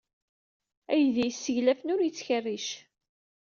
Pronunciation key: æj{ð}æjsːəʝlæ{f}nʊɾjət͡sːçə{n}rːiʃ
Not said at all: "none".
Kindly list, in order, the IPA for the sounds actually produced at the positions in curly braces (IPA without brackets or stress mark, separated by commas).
ð, f, none